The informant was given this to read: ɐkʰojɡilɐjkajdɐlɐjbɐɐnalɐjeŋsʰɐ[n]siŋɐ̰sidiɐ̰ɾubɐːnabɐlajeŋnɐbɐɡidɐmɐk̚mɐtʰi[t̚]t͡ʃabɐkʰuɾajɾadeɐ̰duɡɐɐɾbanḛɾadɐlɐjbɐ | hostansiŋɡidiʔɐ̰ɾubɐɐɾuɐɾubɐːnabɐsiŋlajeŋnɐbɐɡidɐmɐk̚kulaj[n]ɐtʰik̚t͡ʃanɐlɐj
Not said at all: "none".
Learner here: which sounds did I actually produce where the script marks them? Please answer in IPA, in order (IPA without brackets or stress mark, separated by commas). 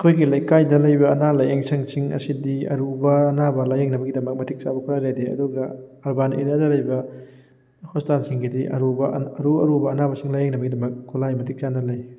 ŋ, k̚, m